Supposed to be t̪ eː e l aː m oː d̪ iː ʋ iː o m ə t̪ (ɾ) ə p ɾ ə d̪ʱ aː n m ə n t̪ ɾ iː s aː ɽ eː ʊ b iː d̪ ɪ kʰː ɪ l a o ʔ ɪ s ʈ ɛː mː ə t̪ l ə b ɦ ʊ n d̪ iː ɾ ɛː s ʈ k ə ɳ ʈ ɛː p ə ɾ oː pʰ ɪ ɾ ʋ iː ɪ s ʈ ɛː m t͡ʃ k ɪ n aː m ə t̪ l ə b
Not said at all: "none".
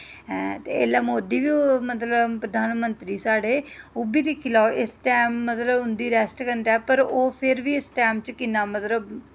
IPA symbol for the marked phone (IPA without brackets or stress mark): l